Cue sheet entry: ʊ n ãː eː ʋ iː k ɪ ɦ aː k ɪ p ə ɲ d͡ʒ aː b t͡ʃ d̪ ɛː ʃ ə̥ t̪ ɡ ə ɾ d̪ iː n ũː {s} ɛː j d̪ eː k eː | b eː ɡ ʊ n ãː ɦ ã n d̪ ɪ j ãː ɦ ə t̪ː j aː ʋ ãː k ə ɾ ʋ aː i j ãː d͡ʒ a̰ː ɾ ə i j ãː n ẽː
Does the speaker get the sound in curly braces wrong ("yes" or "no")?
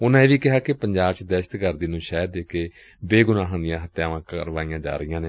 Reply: yes